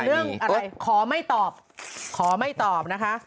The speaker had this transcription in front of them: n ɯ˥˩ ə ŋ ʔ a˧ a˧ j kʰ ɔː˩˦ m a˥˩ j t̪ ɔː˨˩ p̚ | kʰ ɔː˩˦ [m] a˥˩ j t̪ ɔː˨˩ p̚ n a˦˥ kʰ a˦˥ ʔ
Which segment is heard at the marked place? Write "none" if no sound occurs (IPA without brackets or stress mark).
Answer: m